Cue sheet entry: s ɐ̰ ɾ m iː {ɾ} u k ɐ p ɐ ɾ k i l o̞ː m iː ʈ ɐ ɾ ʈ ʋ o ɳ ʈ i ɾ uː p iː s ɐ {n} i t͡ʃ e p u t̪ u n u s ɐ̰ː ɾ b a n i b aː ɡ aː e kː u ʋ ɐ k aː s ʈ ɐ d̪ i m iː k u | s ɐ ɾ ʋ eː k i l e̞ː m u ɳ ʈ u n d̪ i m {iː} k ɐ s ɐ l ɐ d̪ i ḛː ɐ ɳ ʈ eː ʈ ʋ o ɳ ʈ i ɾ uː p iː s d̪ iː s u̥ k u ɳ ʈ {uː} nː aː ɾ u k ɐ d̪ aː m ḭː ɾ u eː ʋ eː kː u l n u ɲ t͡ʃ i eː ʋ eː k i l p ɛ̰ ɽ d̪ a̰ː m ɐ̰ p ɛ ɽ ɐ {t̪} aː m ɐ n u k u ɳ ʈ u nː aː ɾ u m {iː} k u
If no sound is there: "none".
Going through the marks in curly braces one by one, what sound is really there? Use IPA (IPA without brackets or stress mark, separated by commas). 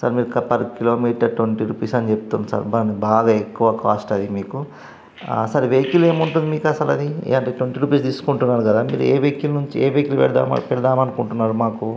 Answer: ɾ, n, iː, u, d̪, aː